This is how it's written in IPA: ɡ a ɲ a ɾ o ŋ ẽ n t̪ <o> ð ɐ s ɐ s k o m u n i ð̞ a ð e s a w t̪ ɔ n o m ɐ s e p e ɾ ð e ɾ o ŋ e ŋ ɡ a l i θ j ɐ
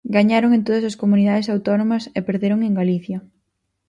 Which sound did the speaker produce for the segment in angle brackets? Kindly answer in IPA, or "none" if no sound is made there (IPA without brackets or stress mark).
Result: o